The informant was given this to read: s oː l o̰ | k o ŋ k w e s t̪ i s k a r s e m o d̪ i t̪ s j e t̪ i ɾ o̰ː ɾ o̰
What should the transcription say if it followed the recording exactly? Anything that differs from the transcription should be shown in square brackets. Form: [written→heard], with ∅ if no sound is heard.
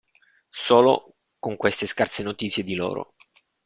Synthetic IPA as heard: s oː l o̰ | k o ŋ k w e s t̪ [i→e] s k a r s e [m→n] o [d̪→t̪] i t̪ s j e [t̪→d̪] i [ɾ→l] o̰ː ɾ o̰

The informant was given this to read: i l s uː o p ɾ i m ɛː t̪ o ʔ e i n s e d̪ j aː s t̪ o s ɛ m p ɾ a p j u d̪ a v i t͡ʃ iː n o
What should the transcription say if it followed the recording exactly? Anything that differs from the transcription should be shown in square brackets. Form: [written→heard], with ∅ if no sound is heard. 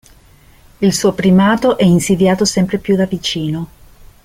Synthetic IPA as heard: i l s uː o p ɾ i m [ɛː→aː] t̪ o ʔ [e→ɛ] i n s [e→i] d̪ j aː [s→∅] t̪ o s ɛ m p ɾ [a→e] p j u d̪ a v i t͡ʃ iː n o

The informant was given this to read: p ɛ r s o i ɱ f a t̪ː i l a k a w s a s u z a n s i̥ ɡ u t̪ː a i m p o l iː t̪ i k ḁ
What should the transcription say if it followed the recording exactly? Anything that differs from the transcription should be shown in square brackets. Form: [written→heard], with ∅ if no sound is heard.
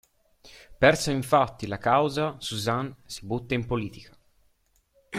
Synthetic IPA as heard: p ɛ r s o i ɱ f a t̪ː i l a k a w [s→z] a s u z a n s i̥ [ɡ→b] u t̪ː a i m p o l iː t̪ i k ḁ

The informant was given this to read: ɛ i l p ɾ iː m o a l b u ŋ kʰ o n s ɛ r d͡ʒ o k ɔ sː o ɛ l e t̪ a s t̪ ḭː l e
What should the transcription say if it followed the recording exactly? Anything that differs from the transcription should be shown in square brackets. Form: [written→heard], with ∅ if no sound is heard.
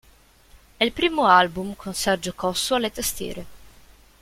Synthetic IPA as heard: ɛ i l p ɾ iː m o a l b u [ŋ→m] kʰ o n s ɛ r d͡ʒ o k ɔ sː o [ɛ→a] l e t̪ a s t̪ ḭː [l→ɾ] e

